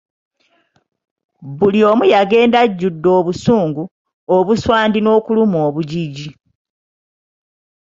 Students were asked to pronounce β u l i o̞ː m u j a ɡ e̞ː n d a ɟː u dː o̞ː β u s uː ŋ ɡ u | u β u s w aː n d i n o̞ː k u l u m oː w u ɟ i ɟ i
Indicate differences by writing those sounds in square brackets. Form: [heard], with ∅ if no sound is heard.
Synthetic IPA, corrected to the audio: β u l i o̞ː m u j a ɡ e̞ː n d a ɟː u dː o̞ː β u s uː ŋ ɡ u | [o] β u s w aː n d i n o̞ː k u l u m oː [β] u ɟ i ɟ i

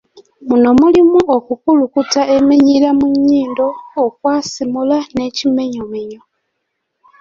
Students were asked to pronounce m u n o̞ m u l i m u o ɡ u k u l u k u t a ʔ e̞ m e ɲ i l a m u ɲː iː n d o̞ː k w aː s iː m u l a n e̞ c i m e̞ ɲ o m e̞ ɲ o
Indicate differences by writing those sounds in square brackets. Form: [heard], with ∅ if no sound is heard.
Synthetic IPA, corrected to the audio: m u n o̞ m u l i m u o [k] u k u l u k u t a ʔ e̞ m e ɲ i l a m u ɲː iː n d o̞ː k w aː s [i] m u l a n e̞ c i m e̞ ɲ o m e̞ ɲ o

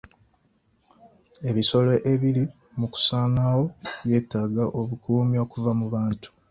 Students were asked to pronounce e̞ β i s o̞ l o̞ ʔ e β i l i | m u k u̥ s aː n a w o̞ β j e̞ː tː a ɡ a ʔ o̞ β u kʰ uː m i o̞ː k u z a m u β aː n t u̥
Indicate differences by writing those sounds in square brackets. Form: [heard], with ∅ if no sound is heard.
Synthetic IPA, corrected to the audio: e̞ β i s o̞ l o̞ ʔ e β i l i | m u k u̥ s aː n a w o̞ β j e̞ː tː a ɡ a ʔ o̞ β u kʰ uː m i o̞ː k u [v] a m u β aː n t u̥

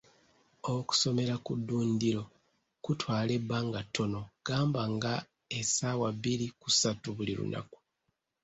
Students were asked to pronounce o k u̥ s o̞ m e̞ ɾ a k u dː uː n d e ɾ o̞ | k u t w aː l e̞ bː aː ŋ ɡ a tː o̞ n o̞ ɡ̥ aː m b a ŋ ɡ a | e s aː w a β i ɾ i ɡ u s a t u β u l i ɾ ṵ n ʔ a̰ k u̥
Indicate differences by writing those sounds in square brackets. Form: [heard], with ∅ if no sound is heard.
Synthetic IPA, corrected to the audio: o k u̥ s o̞ m e̞ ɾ a k u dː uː n d [i] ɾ o̞ | k u t w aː l e̞ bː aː ŋ ɡ a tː o̞ n o̞ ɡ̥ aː m b a ŋ ɡ a | e s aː w a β i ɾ i [k] u s a t u β u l i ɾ ṵ n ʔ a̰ k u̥

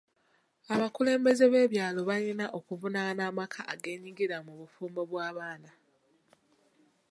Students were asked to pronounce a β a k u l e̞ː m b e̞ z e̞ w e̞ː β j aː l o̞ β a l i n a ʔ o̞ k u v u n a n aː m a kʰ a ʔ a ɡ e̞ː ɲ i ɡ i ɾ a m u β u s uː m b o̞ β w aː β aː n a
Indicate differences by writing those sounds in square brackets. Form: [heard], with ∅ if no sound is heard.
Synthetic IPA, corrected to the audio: a β a k u l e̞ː m b e̞ z e̞ [β] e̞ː β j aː l o̞ β a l i n a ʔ o̞ k u v u n a n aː m a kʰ a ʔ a ɡ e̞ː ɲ i ɡ i ɾ a m u β u [f] uː m b o̞ β w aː β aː n a

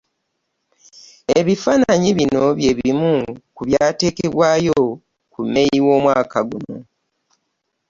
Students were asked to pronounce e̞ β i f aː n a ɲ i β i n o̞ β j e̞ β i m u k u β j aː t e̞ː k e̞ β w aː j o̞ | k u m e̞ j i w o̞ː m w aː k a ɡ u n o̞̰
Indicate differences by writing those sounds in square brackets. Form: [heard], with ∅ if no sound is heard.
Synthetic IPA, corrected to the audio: e̞ β i f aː n a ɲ i β i n o̞ β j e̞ β i m u k u β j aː t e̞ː k e̞ β w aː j o̞ | k u m e̞ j i w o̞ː m w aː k a ɡ u n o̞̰

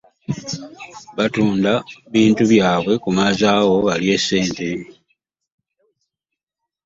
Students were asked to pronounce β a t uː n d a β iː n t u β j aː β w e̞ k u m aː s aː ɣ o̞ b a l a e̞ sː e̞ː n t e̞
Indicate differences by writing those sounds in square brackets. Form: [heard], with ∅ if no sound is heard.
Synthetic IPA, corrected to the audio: β a t uː n d a β iː n t u β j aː β w e̞ k u m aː [z] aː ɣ o̞ [β] a l [i] e̞ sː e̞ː n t e̞

